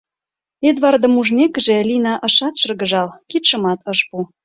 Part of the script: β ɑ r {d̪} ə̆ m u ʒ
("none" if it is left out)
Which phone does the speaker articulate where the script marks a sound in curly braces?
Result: d̪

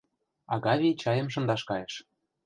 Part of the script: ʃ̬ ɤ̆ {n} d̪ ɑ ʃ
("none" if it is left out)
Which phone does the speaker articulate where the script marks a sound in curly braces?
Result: n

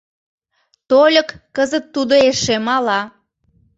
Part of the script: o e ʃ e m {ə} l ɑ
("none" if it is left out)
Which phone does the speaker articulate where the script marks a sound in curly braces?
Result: ɑ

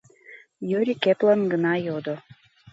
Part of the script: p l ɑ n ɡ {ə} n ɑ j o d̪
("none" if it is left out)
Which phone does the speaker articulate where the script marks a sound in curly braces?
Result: ə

